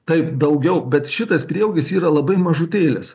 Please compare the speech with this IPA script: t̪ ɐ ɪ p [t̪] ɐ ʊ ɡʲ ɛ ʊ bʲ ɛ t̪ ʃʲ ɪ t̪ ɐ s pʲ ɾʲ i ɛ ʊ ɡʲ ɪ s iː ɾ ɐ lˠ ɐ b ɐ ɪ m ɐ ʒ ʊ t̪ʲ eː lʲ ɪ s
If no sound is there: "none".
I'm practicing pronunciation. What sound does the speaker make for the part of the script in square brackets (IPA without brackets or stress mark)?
d̪